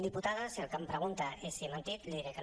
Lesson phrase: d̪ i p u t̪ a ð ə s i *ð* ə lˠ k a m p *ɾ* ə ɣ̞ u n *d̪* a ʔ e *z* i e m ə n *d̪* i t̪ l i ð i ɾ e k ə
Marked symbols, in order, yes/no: no, yes, no, no, no

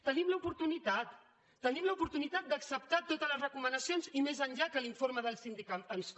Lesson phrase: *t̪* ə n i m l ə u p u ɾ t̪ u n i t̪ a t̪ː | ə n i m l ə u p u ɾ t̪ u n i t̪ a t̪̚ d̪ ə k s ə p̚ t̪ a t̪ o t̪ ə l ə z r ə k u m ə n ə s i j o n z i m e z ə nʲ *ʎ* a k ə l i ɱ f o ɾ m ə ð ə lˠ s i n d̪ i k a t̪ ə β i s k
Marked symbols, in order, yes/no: yes, yes

